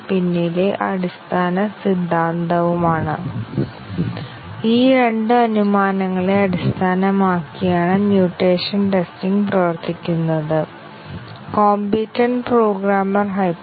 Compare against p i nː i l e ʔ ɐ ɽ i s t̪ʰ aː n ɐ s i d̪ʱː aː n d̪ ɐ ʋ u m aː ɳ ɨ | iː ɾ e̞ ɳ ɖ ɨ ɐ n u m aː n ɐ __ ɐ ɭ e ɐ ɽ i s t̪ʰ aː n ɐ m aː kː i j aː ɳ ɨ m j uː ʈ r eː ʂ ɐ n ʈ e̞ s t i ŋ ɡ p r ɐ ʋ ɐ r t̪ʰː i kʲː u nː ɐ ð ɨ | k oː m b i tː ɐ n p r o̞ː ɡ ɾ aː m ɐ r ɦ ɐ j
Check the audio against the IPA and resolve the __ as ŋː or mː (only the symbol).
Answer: ŋː